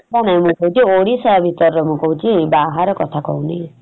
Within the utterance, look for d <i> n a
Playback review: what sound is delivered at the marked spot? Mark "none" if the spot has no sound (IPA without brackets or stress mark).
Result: a